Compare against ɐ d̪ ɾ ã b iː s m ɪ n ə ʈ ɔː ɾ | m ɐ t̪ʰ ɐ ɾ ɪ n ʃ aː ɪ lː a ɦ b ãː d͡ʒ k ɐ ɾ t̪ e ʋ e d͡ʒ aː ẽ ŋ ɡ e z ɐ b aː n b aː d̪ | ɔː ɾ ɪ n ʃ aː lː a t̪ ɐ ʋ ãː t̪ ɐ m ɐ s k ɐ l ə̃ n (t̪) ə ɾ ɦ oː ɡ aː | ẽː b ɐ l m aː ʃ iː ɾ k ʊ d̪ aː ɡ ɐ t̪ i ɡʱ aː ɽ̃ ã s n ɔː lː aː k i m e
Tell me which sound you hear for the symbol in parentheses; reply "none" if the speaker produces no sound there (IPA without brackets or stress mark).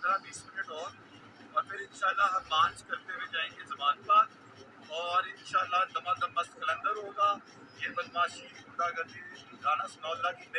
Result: d̪